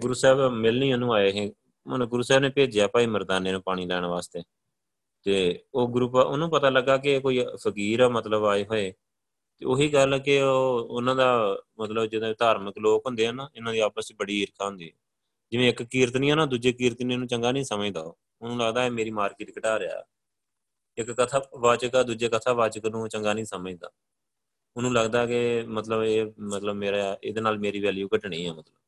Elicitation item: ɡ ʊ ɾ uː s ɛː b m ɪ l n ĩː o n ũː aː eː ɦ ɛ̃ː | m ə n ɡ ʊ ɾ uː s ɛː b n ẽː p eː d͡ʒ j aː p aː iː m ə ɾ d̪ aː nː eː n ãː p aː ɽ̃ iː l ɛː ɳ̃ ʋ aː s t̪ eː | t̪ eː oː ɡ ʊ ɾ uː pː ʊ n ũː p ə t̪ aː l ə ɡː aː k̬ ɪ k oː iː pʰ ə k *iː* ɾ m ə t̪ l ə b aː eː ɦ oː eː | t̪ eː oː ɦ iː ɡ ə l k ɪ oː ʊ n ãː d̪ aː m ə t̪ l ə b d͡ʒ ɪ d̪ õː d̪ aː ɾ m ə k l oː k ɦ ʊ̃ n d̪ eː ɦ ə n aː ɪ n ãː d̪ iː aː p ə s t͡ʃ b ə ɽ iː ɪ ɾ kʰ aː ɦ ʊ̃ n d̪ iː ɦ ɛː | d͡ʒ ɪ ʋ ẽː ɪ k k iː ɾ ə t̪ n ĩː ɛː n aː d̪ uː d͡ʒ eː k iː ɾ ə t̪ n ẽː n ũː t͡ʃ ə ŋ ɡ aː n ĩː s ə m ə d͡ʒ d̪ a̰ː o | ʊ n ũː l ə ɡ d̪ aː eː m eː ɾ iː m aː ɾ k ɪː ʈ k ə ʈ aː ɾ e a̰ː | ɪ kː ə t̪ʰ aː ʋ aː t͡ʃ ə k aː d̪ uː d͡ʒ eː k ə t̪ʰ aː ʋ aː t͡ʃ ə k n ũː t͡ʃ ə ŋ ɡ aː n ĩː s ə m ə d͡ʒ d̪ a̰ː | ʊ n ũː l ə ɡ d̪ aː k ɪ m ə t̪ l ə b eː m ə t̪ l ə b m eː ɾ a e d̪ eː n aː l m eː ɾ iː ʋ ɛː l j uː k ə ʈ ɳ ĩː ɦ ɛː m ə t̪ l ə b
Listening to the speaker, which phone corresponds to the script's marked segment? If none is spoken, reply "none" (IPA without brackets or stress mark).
iː